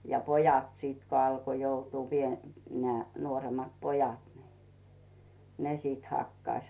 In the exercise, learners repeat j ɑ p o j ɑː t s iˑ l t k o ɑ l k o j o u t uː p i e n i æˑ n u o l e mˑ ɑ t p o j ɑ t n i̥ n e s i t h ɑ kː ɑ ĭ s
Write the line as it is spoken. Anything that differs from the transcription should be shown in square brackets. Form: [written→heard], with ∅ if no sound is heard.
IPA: j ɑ p o j [ɑː→ɑ] t s iˑ [l→∅] t k o ɑ l k o j o u t uː p i e n [i→e] æˑ n u o [l→r] e mˑ ɑ t p o j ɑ t n i̥ n e s i t h ɑ kː ɑ ĭ s